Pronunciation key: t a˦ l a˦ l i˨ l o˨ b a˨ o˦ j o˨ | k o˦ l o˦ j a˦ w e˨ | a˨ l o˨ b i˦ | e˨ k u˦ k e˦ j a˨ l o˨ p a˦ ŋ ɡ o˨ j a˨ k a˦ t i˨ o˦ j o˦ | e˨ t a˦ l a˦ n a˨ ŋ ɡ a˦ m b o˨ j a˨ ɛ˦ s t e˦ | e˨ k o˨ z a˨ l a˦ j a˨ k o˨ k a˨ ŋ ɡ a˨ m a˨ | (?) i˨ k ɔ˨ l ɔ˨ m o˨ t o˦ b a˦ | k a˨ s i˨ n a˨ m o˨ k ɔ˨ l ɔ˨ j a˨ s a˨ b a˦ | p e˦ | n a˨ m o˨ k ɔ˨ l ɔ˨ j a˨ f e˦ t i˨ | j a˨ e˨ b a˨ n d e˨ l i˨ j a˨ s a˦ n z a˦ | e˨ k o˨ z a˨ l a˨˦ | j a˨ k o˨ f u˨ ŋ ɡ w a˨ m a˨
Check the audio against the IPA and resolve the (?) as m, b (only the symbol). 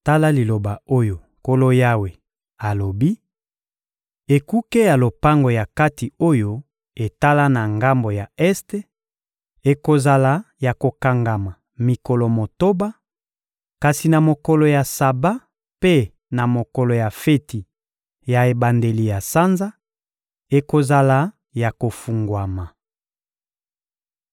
m